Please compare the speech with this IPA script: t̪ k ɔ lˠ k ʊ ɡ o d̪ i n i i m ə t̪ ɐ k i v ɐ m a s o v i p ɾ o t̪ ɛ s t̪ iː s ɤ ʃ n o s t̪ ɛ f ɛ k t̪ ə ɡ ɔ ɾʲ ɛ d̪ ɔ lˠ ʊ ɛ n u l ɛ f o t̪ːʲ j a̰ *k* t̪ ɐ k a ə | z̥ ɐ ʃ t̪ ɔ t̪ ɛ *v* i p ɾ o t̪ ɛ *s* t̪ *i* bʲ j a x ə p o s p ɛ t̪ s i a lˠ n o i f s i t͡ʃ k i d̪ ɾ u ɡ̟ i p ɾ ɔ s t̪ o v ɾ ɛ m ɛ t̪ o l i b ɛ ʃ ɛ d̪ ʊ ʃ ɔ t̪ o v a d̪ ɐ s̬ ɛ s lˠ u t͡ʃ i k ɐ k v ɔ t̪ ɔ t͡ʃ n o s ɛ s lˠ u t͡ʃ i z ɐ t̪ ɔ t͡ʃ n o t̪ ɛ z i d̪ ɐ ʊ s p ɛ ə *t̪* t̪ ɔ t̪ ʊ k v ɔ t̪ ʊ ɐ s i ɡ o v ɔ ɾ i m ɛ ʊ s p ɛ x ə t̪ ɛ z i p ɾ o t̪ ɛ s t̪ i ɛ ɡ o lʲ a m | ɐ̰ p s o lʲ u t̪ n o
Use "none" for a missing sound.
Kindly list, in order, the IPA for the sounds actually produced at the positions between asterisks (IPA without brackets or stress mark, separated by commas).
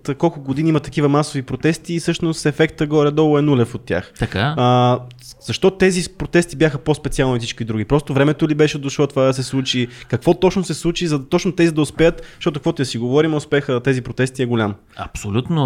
x, z, s, i, t̪